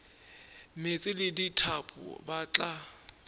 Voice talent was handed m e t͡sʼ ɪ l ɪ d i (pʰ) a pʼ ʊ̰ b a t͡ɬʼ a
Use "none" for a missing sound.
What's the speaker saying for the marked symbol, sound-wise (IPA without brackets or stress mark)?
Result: tʰ